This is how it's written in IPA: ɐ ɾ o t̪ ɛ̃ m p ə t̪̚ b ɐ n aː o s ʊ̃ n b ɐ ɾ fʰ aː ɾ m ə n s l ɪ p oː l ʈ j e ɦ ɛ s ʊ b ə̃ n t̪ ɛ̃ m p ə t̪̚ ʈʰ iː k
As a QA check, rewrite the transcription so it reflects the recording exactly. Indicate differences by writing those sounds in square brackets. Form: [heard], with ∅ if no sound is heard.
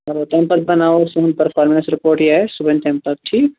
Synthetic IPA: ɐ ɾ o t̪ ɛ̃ m p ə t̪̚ b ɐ n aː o s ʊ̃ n [p] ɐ ɾ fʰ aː ɾ m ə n s [ɾ] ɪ p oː [ɾ] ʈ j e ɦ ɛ s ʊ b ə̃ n t̪ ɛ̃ m p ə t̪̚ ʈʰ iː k